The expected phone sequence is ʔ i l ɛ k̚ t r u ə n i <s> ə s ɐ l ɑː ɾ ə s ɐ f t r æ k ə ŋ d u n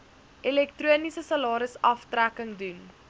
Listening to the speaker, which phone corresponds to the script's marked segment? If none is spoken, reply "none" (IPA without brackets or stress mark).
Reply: s